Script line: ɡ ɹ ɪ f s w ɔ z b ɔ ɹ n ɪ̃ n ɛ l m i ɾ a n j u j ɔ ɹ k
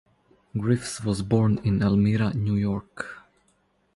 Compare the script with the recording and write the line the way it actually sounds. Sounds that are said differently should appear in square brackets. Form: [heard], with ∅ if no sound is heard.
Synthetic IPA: ɡ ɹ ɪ f s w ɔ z b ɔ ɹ n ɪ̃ n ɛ l m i ɾ a n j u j ɔ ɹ k